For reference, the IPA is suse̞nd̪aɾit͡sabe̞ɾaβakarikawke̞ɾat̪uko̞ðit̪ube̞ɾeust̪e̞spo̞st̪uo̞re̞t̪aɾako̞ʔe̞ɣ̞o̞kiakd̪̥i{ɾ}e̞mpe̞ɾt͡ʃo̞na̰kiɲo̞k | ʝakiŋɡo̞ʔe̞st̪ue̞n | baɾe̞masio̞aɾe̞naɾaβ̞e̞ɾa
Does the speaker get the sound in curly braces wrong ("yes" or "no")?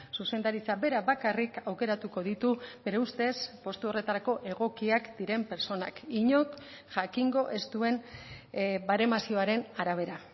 no